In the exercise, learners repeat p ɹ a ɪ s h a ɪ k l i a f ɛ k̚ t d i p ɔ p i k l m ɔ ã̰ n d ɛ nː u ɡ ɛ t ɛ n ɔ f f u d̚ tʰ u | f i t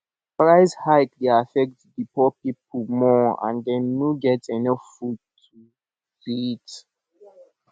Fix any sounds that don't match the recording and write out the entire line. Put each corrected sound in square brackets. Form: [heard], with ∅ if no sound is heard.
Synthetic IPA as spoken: p ɹ a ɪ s h a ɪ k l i a f ɛ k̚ t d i p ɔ p i [p] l m ɔ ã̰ n d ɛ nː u ɡ ɛ t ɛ n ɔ f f u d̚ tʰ u | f i t